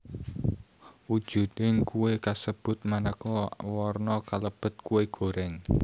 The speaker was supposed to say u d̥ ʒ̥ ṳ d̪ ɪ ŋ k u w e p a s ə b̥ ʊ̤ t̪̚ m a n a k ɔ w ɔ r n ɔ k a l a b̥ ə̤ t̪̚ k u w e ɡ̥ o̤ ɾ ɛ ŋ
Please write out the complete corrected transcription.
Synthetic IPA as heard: u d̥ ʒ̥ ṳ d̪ ɪ ŋ k u w e k a s ə b̥ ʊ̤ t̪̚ m a n a k ɔ w ɔ r n ɔ k a l ə b̥ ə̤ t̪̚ k u w e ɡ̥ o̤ ɾ ɛ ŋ